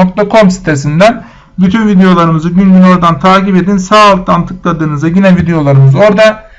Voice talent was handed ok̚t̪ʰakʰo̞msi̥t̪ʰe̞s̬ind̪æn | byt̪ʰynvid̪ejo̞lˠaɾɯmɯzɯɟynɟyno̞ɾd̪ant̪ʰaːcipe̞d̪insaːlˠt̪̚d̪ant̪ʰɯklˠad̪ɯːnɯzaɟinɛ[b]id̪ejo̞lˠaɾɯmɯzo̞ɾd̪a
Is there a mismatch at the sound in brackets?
yes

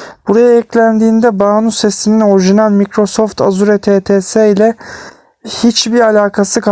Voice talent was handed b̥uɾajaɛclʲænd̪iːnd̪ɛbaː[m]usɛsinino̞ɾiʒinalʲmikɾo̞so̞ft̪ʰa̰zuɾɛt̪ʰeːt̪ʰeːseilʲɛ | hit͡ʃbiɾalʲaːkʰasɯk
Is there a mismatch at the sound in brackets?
yes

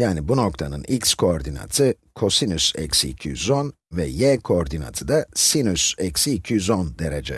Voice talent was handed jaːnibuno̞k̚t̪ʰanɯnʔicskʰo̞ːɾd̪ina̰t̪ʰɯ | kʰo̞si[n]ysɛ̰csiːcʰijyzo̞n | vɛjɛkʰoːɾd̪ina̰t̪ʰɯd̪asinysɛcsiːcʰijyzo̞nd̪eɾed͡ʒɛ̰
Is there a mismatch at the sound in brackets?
no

